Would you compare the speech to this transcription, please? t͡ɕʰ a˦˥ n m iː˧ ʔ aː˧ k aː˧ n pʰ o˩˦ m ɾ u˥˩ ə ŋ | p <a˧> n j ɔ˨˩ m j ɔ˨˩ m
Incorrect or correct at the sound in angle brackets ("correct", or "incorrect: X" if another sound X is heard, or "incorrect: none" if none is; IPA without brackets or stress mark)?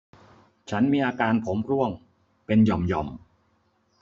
incorrect: e˧